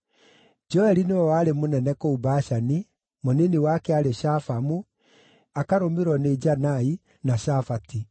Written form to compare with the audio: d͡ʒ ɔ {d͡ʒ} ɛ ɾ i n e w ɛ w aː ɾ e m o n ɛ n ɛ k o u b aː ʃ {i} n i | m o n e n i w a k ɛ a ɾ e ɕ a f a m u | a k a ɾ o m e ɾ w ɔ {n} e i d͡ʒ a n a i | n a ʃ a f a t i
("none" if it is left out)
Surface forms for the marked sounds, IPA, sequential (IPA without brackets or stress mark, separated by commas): none, a, n